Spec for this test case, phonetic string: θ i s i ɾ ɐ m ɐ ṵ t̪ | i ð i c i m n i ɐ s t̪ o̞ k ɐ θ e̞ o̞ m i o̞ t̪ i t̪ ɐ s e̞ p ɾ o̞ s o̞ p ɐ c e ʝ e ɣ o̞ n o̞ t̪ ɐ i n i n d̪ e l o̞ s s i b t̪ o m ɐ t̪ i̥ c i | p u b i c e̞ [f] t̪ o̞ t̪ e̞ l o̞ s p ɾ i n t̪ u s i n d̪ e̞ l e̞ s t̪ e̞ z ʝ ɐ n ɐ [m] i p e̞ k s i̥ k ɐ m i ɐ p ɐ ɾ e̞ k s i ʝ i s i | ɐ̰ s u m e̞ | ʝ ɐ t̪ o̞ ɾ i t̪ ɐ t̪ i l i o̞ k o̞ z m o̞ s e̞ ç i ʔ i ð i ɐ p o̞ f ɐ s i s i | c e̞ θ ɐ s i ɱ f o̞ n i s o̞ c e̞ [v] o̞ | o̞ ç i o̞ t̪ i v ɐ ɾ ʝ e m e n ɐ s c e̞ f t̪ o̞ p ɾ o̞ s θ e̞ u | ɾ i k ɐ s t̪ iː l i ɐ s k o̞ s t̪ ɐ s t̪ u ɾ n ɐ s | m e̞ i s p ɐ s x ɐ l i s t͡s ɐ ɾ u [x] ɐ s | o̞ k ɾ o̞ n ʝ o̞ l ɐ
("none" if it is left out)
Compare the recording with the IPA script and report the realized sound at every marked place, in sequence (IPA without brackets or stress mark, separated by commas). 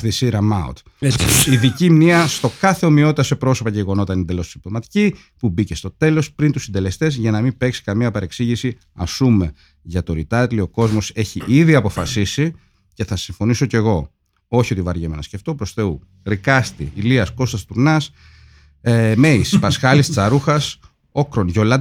s, m, ɣ, x